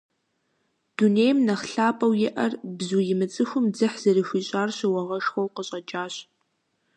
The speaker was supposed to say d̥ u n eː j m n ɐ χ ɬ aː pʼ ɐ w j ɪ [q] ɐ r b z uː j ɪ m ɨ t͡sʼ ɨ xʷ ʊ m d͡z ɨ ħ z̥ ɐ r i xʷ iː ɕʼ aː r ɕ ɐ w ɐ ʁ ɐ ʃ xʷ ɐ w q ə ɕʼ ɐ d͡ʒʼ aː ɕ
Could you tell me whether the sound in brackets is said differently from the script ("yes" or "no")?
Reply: yes